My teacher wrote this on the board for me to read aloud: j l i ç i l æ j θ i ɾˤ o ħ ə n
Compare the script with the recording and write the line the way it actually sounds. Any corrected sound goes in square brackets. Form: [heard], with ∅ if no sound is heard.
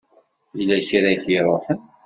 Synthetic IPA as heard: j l [æ] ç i [ɾ] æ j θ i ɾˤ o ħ ə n